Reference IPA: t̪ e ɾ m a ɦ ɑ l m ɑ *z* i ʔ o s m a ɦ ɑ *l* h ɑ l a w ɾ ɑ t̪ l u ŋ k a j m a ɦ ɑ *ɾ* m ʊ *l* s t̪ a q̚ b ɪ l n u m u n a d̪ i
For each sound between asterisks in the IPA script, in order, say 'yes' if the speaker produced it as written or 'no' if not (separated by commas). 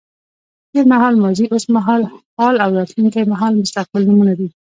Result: yes, yes, no, no